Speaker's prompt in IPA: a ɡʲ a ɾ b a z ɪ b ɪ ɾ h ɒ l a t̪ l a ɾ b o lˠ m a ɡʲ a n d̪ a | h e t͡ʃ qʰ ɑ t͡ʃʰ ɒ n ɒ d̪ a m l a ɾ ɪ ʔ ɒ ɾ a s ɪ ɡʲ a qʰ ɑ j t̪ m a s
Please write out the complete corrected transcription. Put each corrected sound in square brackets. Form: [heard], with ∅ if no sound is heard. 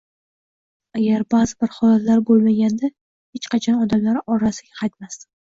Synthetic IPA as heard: a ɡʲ a ɾ b a z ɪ b ɪ ɾ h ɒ l a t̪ l a ɾ b o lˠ m a ɡʲ a n d̪ a | h e t͡ʃ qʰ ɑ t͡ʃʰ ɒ n ɒ d̪ a m l a ɾ ɪ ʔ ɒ ɾ a s ɪ ɡʲ a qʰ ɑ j t̪ m a s